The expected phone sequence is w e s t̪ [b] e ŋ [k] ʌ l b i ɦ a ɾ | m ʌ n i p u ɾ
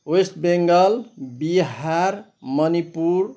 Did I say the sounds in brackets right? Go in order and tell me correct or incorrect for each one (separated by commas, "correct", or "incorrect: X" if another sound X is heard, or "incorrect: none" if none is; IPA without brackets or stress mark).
correct, incorrect: ɡ